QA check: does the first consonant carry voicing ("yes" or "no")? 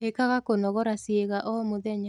no